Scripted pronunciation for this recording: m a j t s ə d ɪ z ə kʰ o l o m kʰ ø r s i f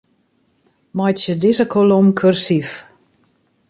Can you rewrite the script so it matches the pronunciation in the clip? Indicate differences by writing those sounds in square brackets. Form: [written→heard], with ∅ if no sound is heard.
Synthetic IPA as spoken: m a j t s ə d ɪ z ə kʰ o l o m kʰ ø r s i f